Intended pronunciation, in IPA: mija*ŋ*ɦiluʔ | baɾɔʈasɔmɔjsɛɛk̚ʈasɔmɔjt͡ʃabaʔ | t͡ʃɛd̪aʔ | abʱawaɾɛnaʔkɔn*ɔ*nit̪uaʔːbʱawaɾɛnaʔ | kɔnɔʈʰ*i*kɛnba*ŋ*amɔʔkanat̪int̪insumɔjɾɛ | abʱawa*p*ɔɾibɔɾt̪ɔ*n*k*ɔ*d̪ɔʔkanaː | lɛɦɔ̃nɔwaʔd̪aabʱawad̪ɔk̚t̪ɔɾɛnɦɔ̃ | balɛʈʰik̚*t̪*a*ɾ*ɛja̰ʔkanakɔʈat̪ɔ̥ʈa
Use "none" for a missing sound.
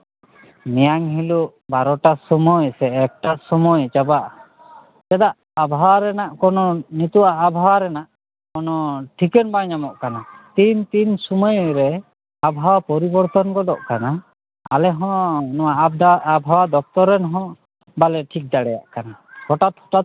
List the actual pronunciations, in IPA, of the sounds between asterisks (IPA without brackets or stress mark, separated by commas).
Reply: ŋ, ɔ, i, ɲ, p, n, ɔ, d̪, ɽ